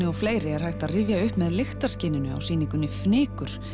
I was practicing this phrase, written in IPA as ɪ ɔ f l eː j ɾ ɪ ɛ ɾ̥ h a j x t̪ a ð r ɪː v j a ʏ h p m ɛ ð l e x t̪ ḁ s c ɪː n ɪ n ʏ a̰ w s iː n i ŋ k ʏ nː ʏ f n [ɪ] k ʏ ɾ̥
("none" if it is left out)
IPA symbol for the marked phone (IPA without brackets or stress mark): ɪː